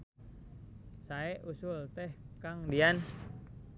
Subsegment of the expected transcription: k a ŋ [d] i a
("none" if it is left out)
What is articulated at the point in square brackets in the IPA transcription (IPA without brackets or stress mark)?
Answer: d